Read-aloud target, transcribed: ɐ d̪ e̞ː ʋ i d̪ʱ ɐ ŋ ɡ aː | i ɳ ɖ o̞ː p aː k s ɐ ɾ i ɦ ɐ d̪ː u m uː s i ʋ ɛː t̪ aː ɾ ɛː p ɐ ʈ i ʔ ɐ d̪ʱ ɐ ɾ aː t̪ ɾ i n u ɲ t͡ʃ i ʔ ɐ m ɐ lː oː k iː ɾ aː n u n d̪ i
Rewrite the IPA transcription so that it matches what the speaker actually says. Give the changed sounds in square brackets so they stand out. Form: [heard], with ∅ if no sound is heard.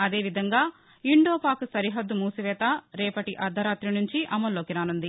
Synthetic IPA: ɐ d̪ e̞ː ʋ i d̪ʱ ɐ ŋ ɡ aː | i ɳ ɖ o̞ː p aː k s ɐ ɾ i ɦ ɐ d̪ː u m uː s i ʋ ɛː t̪ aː ɾ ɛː p ɐ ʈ i ʔ ɐ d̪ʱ ɐ ɾ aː t̪ ɾ i n u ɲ t͡ʃ i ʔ ɐ m ɐ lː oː k [i] ɾ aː n u n d̪ i